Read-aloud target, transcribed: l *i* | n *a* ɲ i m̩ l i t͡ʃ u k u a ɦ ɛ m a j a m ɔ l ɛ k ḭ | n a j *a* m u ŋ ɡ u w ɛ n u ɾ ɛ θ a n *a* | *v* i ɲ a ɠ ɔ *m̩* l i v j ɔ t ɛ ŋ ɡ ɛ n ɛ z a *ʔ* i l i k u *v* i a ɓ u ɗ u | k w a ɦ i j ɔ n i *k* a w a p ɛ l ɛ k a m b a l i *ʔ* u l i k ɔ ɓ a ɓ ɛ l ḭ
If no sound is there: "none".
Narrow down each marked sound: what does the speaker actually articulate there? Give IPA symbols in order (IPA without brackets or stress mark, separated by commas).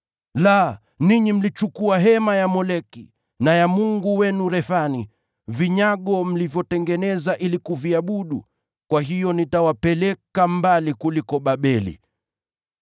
a, i, a, i, v, m̩, ʔ, v, t, k